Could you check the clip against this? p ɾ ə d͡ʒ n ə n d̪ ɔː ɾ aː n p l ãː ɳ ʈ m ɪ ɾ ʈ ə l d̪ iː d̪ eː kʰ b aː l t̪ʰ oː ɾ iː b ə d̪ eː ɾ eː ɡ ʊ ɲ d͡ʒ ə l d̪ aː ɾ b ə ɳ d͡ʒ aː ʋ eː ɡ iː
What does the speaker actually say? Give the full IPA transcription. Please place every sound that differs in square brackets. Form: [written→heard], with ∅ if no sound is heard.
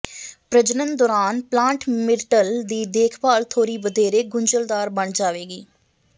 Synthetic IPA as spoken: p ɾ ə d͡ʒ n ə n d̪ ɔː ɾ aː n p l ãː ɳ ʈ m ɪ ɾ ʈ ə l d̪ iː d̪ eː kʰ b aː l t̪ʰ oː ɾ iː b ə d̪ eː ɾ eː ɡ ʊ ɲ d͡ʒ ə l d̪ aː ɾ b ə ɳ d͡ʒ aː ʋ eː ɡ iː